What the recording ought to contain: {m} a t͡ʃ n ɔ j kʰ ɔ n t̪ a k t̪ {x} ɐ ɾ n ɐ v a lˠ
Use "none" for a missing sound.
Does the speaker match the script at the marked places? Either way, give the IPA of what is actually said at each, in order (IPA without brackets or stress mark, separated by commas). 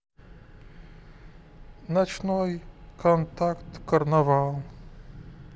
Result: n, k